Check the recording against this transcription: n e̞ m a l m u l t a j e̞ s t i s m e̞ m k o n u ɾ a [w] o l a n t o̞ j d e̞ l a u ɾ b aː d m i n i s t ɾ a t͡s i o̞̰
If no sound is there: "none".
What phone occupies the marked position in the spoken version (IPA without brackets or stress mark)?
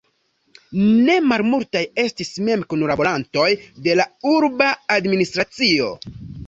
b